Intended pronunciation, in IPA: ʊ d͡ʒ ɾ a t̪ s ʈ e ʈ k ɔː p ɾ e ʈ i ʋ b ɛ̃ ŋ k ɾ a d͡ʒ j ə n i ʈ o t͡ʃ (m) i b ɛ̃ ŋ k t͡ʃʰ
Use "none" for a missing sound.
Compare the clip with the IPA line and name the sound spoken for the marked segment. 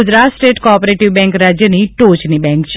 n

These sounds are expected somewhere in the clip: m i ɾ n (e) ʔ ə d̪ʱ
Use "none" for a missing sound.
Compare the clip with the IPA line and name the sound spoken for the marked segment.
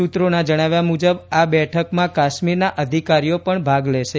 a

